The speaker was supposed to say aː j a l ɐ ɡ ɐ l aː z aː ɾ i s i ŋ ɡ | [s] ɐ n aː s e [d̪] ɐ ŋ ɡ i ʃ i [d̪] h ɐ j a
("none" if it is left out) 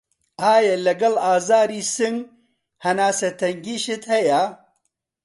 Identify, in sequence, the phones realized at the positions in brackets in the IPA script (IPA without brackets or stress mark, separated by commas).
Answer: h, t̪, t̪